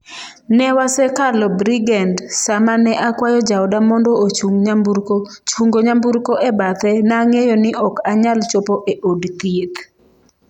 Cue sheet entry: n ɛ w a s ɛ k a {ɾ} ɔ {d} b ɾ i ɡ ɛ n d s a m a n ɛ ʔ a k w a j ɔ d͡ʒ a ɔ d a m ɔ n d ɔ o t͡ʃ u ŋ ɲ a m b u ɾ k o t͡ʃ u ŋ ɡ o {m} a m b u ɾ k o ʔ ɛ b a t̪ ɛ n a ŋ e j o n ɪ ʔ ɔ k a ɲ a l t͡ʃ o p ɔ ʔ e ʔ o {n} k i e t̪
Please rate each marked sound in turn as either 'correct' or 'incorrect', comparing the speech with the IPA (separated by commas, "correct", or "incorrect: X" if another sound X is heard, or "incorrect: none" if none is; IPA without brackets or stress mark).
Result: incorrect: l, incorrect: none, incorrect: ɲ, incorrect: d